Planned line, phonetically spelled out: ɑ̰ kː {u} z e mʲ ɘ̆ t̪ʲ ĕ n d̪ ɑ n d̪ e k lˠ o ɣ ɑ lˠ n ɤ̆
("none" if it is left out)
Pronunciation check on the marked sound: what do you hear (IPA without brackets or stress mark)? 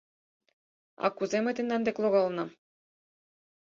u